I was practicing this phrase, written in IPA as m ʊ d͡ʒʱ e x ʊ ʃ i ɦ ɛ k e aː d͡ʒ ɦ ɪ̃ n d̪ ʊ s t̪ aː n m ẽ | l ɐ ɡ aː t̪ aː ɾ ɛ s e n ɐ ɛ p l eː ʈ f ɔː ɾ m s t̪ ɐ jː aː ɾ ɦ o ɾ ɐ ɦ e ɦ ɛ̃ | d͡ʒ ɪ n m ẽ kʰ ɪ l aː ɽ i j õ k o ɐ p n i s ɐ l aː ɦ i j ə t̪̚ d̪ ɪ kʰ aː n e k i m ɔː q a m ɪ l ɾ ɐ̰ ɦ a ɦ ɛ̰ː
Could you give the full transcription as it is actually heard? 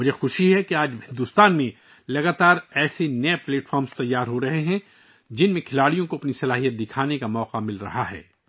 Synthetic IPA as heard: m ʊ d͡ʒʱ e x ʊ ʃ i ɦ ɛ k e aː d͡ʒ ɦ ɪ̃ n d̪ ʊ s t̪ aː n m ẽ | l ɐ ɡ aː t̪ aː ɾ ɛː s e n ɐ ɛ p l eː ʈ f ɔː ɾ m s t̪ ɐ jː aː ɾ ɦ o ɾ ɐ ɦ e ɦ ɛ̃ | d͡ʒ ɪ n m ẽ kʰ ɪ l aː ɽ i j õ k o ɐ p n i s ɐ l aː ɦ i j ə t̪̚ d̪ ɪ kʰ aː n e k a m ɔː q a m ɪ l ɾ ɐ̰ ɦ a ɦ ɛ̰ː